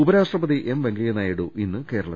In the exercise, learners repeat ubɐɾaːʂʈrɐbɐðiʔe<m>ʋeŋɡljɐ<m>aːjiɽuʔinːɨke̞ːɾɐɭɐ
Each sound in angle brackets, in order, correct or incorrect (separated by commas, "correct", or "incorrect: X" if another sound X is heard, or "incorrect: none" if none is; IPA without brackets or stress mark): correct, incorrect: n